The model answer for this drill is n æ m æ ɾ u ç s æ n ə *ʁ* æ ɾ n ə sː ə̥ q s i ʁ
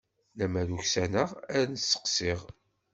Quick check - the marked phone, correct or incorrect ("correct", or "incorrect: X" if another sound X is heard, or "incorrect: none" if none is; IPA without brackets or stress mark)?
correct